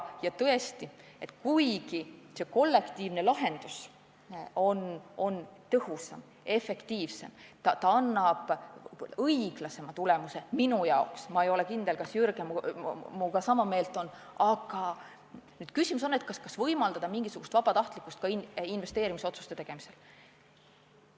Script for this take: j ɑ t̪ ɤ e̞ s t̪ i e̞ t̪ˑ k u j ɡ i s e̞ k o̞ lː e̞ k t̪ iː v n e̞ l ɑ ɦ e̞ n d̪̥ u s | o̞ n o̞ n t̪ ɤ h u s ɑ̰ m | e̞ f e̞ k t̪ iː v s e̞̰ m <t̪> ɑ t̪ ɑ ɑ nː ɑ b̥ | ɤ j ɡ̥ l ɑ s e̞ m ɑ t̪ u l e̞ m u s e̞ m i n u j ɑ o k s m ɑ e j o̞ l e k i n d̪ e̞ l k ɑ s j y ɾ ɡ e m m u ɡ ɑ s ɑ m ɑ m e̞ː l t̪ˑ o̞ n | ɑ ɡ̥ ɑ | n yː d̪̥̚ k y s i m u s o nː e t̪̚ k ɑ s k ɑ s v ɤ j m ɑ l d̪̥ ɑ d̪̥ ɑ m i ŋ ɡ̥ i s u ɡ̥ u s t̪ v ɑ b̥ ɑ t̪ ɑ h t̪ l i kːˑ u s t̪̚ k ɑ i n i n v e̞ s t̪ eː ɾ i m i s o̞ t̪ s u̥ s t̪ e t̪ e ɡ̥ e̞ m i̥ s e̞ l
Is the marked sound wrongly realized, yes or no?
no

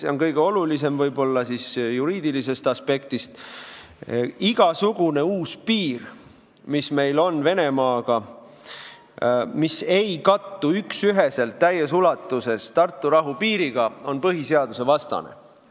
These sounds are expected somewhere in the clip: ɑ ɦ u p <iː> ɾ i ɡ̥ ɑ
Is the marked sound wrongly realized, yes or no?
no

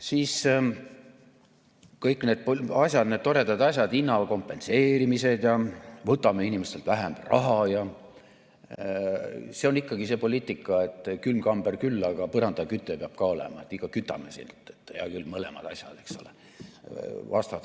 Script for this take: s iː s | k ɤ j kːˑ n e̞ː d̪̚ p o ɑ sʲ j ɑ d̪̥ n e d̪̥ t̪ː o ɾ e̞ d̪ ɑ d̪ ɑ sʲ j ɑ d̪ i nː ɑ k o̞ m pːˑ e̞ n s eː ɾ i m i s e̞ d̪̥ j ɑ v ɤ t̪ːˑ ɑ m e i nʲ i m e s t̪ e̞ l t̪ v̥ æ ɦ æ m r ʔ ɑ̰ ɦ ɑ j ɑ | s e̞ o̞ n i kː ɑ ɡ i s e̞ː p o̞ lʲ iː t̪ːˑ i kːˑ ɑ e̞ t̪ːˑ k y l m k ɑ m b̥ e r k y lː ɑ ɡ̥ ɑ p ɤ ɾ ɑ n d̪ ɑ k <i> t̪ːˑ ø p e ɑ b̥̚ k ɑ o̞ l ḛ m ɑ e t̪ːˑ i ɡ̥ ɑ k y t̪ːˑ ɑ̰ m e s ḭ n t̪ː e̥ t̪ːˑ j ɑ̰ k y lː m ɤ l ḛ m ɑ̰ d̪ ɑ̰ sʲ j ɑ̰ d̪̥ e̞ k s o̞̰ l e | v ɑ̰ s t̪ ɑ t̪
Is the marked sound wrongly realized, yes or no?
yes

